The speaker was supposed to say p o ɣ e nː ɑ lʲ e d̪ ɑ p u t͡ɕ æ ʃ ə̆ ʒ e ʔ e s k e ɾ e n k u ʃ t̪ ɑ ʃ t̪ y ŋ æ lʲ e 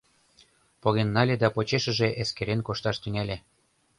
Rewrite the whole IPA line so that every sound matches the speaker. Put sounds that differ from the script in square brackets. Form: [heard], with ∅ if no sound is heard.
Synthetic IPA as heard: p o ɣ e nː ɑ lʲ e d̪ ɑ p [o] t͡ɕ [e] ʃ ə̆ ʒ e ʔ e s k e ɾ e n k [o] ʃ t̪ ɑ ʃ t̪ y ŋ æ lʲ e